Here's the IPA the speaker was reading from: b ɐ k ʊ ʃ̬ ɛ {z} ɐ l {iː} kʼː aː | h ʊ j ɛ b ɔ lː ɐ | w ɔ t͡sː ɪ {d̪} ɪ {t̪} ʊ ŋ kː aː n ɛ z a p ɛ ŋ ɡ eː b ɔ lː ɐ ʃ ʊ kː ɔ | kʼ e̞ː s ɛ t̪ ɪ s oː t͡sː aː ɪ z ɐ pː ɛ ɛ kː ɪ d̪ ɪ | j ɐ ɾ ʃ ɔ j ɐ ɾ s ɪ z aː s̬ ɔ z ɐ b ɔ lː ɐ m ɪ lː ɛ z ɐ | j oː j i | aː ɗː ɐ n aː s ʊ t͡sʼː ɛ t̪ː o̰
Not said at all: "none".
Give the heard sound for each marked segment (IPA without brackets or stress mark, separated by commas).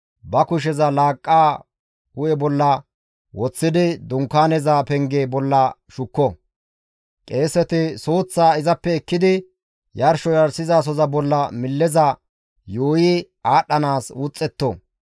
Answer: z, aː, d̪, d̪